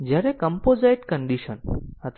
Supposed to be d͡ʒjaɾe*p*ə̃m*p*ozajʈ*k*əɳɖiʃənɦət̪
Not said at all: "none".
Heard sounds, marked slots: k, p, k

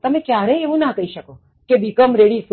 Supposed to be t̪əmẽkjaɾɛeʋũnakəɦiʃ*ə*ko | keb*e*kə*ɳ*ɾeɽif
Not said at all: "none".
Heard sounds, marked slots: ə, i, m

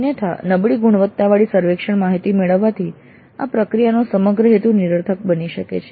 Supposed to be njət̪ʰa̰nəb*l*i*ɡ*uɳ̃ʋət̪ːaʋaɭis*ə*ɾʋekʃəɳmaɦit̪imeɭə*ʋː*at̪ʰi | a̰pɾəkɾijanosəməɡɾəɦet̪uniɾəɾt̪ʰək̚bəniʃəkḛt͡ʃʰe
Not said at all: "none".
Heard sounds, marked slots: ɭ, ɡ, ə, ʋː

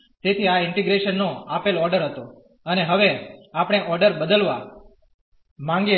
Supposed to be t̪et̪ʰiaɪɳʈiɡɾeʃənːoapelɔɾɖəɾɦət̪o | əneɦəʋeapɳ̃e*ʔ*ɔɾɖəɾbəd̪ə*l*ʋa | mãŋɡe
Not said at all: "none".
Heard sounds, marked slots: ʔ, l

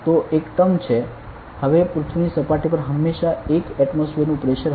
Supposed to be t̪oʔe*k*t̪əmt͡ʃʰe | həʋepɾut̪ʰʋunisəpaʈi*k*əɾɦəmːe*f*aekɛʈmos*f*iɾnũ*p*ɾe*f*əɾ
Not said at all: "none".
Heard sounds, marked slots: k, p, ʃ, f, p, ʃ

